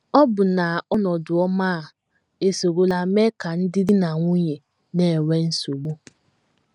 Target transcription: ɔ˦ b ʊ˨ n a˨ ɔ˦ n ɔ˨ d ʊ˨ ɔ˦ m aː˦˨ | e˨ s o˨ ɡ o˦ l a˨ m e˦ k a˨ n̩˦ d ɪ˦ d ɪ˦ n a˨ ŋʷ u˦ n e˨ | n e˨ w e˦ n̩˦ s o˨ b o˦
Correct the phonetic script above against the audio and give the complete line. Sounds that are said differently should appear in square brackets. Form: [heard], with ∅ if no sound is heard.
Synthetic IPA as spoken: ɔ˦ b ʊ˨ n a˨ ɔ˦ n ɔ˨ d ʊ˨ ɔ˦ m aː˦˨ | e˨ s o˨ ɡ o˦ l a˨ m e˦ k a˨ n̩˦ d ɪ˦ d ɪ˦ n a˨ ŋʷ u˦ [ɲ] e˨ | n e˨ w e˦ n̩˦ s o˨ [ɡ͡b] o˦